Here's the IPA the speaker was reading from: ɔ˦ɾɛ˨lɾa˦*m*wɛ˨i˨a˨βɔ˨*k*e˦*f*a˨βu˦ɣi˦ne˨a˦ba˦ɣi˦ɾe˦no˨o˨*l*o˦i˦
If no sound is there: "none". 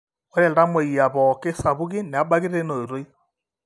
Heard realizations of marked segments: m, k, s, ɾ

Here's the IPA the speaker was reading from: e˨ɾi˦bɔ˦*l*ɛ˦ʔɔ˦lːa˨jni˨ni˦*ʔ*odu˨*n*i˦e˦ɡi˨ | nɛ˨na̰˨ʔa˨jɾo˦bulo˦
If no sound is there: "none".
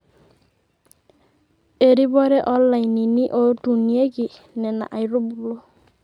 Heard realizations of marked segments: ɾ, ʔ, n

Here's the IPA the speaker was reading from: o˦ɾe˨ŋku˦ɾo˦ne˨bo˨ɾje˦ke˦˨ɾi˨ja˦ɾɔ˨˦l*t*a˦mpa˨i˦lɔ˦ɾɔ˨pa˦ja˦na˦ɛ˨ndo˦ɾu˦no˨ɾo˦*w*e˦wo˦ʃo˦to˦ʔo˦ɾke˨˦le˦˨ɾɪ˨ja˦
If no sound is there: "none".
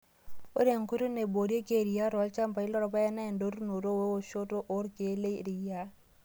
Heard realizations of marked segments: t͡ʃ, w

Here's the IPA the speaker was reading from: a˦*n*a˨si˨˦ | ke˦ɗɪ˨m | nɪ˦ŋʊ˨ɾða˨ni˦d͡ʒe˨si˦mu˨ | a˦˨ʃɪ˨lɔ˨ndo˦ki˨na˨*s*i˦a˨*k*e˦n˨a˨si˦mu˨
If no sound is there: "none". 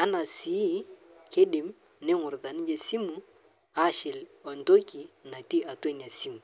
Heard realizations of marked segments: n, t, t

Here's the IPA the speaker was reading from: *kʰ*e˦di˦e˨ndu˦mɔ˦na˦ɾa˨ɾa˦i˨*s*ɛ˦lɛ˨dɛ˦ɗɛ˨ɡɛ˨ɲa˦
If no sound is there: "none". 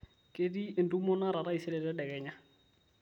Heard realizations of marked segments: k, s

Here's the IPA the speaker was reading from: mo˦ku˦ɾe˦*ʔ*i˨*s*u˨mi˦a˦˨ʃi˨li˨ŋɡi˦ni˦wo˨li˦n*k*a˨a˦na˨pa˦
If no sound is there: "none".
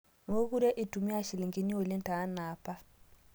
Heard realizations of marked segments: ʔ, t, t

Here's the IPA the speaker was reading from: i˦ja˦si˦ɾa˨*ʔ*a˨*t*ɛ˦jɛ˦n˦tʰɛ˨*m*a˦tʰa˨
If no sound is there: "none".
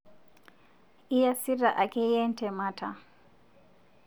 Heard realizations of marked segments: ʔ, k, m

